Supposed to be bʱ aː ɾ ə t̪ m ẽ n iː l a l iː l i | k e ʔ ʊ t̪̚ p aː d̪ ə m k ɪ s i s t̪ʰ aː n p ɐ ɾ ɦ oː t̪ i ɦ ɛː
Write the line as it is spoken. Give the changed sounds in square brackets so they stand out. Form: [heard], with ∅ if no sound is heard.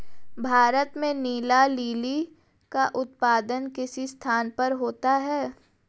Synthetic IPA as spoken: bʱ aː ɾ ə t̪ m ẽ n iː l a l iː l i | k [a] ʔ ʊ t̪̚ p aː d̪ ə [n] k ɪ s i s t̪ʰ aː n p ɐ ɾ ɦ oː t̪ [a] ɦ ɛː